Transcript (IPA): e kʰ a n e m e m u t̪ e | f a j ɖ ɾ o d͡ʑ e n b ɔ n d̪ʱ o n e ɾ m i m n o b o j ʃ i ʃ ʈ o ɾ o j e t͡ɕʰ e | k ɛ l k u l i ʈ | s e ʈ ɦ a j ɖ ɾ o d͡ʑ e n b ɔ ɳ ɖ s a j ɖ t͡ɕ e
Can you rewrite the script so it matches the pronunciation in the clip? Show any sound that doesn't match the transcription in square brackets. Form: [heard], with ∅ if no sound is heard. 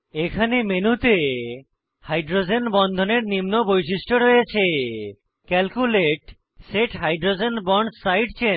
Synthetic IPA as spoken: e kʰ a n e m e [n] u t̪ e | [h] a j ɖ ɾ o d͡ʑ e n b ɔ n d̪ʱ o n e ɾ [n] i m n o b o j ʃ i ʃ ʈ o ɾ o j e t͡ɕʰ e | k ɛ l k u l [e] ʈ | s e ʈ ɦ a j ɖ ɾ o d͡ʑ e n b ɔ ɳ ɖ s a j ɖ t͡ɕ e